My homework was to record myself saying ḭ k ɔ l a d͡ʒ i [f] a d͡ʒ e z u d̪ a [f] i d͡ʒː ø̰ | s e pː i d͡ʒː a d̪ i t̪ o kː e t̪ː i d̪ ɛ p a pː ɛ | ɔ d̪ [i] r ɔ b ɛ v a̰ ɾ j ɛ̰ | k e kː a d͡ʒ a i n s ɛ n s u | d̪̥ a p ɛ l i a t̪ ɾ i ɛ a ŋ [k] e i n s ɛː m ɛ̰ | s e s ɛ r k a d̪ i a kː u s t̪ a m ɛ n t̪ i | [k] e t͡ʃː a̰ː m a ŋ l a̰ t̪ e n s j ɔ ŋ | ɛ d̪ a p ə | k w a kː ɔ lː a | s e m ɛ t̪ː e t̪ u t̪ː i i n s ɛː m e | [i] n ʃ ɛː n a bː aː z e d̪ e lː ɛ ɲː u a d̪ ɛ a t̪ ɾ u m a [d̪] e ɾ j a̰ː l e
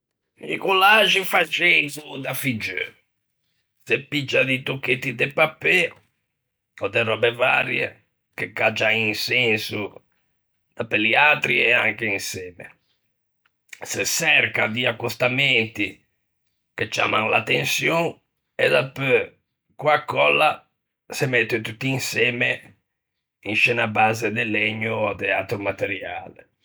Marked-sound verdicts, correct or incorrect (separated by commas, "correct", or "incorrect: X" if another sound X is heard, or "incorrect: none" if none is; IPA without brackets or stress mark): correct, correct, incorrect: ɛ, correct, correct, correct, incorrect: t̪